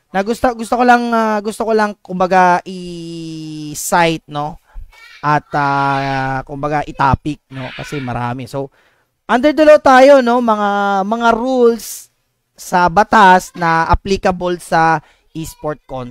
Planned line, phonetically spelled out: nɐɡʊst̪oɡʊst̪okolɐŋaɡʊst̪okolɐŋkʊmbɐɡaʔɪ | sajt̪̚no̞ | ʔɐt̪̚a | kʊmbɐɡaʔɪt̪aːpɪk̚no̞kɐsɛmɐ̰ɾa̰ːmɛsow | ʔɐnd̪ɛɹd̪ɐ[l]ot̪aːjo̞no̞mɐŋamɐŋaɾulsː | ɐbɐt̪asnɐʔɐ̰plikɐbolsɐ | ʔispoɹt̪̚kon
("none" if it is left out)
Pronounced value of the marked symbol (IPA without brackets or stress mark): l